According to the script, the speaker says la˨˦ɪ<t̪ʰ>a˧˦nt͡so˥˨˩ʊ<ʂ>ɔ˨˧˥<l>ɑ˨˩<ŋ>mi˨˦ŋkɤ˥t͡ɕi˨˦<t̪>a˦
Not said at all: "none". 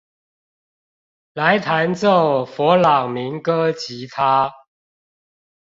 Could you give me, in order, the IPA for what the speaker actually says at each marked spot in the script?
t̪ʰ, f, l, ŋ, t̪ʰ

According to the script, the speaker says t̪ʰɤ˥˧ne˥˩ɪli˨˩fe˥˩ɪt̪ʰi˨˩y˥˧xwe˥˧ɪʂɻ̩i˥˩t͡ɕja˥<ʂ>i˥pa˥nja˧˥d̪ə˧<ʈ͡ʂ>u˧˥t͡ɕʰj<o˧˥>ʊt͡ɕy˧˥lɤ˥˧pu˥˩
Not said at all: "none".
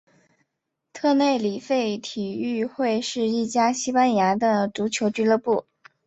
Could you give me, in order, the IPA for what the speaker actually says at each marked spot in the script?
ɕ, ʈ͡ʂ, o˧˥

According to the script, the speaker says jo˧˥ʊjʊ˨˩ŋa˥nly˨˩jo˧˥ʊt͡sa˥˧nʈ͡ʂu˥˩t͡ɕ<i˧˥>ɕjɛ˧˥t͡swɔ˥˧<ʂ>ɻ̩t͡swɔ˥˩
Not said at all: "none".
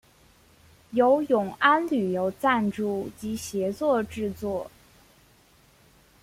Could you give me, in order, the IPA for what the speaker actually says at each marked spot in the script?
i˧˥, ʈ͡ʂ

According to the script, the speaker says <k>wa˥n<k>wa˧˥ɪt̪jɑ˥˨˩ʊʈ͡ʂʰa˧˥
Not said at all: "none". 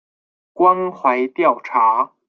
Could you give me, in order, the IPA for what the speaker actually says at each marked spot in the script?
k, x

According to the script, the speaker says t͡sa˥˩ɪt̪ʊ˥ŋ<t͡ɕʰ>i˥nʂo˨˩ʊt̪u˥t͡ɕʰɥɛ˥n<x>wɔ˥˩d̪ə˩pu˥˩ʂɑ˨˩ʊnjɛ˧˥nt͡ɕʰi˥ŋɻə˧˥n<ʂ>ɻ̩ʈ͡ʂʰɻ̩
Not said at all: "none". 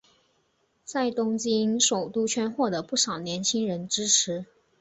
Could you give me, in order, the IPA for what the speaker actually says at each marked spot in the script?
t͡ɕ, x, ʈ͡ʂ

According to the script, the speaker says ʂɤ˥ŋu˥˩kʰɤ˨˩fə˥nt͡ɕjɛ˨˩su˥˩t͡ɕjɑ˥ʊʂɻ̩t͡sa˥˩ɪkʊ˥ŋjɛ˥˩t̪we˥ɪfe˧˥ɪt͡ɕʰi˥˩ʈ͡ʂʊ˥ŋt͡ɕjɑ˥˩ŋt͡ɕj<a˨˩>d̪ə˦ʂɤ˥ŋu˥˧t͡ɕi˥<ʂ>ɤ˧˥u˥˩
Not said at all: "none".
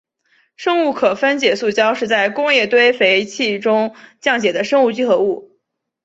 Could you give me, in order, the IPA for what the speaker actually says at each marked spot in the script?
ɛ˨˩, x

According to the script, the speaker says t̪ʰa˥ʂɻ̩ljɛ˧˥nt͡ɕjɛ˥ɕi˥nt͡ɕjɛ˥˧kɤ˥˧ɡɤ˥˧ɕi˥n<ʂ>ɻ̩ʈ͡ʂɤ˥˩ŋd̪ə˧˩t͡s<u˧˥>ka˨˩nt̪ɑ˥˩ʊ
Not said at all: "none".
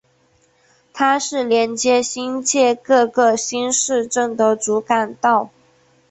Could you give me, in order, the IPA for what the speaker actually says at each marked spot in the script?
ʂ, u˧˥

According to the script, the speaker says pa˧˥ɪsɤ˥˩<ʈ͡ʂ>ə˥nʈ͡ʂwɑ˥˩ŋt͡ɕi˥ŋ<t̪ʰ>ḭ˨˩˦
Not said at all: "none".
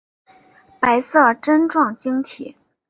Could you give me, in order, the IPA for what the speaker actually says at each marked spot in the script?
ʈ͡ʂ, t̪ʰ

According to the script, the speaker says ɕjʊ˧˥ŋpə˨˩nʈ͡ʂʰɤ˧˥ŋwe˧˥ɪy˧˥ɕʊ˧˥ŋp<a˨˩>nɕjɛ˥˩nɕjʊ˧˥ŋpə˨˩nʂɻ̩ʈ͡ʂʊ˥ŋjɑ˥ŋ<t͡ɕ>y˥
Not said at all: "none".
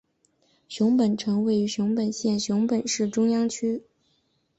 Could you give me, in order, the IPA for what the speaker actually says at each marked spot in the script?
ə˨˩, t͡ɕʰ

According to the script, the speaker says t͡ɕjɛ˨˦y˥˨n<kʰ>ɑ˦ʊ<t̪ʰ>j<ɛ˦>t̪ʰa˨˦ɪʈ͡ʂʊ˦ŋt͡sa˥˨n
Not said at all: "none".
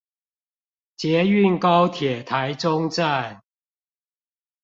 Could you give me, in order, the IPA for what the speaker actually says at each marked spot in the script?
k, t̪ʰ, ɛ˨˩

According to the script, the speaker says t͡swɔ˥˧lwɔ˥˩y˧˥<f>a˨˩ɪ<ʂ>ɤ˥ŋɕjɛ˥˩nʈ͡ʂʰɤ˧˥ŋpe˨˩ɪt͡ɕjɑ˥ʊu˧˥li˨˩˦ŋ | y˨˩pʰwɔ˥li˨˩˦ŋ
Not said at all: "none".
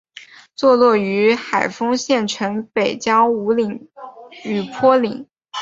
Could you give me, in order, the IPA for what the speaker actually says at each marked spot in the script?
x, f

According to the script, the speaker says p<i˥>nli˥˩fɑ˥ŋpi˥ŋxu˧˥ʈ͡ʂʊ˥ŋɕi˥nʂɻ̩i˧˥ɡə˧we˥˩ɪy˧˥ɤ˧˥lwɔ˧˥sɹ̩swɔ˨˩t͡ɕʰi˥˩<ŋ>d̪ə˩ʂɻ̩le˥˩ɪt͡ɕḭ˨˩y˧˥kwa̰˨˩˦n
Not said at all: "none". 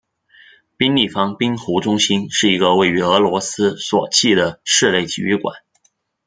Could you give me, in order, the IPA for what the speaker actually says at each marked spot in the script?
i˥, none

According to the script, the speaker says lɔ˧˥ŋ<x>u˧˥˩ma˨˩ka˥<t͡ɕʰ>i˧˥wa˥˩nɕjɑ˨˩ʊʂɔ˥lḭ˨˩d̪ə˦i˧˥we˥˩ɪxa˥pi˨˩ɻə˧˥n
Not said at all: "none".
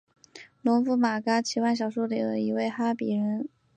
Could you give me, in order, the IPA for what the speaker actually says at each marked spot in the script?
f, t͡ɕʰ

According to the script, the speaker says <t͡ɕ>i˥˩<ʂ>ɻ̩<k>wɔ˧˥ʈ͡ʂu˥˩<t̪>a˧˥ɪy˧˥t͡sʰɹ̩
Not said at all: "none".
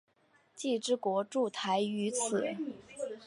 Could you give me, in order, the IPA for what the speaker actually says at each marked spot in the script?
t͡ɕ, ʈ͡ʂ, k, t̪ʰ

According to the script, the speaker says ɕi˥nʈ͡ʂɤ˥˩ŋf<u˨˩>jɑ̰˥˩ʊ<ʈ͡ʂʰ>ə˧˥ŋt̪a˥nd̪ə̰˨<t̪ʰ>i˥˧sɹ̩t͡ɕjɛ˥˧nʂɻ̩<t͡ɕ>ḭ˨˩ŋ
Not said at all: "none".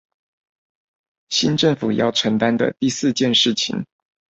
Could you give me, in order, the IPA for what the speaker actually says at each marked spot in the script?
u˨˩, ʈ͡ʂʰ, t̪, t͡ɕʰ

